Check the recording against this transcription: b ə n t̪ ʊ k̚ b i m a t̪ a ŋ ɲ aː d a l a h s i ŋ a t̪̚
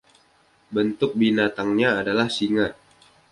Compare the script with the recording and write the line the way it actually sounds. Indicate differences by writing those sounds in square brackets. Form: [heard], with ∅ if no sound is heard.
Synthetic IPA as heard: b ə n t̪ ʊ k̚ b i [n] a t̪ a ŋ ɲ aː d a l a h s i ŋ a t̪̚